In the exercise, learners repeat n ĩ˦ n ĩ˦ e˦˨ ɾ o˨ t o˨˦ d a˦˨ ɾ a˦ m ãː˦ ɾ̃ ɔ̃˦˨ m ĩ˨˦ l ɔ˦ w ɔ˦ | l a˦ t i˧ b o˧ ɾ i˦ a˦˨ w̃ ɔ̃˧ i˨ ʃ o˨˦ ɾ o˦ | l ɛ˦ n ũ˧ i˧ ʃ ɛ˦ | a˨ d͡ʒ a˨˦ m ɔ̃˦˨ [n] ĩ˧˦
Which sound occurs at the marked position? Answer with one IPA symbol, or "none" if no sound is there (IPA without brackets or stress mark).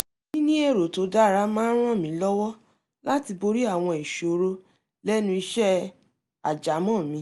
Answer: m